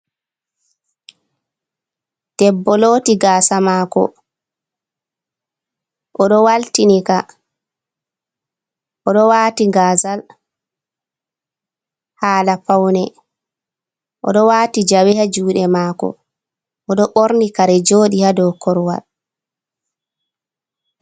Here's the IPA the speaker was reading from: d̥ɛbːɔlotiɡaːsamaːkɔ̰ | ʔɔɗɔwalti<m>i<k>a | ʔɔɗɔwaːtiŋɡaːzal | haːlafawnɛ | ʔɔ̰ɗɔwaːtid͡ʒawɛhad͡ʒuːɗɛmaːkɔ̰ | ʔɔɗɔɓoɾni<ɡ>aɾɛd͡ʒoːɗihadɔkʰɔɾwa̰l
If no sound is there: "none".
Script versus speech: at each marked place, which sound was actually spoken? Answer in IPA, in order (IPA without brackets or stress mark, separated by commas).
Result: n, k, k